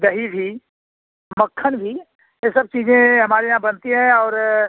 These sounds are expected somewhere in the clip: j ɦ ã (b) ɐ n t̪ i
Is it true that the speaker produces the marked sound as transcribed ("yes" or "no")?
yes